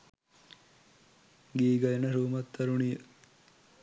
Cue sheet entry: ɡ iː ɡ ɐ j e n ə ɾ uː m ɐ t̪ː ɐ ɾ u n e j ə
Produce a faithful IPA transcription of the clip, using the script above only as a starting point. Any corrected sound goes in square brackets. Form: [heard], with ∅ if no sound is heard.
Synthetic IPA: ɡ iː ɡ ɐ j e n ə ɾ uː m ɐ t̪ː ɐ ɾ u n [i] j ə